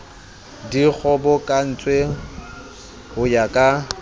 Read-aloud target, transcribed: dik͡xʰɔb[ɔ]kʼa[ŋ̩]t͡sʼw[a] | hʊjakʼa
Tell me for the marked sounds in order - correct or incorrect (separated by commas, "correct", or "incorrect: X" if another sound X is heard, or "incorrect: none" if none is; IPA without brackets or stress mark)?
correct, incorrect: n̩, incorrect: e